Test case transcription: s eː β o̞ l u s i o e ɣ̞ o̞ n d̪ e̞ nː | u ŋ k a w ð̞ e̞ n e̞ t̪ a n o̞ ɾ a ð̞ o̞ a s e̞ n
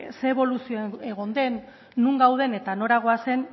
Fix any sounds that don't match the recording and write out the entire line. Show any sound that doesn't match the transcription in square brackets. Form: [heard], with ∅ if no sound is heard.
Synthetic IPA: s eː β o̞ l u s i o e ɣ̞ o̞ n d̪ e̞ nː | u ŋ [ɡ] a w ð̞ e̞ n e̞ t̪ a n o̞ ɾ a [ɣ̞] o̞ a s e̞ n